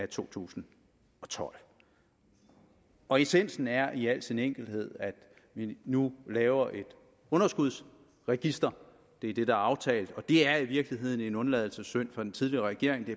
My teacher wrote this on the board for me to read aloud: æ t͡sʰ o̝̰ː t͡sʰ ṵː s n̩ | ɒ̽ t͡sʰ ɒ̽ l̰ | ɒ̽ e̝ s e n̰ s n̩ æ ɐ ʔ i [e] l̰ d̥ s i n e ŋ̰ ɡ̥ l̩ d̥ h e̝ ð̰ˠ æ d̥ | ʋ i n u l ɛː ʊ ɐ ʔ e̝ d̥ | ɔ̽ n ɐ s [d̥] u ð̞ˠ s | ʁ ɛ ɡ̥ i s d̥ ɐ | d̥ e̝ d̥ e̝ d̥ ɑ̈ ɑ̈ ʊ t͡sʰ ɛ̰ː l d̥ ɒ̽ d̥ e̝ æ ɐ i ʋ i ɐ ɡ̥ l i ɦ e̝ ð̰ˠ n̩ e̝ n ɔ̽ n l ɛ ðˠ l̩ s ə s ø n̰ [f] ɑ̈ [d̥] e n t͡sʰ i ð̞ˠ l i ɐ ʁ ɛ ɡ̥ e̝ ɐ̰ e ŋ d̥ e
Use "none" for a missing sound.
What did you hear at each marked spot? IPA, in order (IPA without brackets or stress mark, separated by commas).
æ, ɡ̥, f, d̥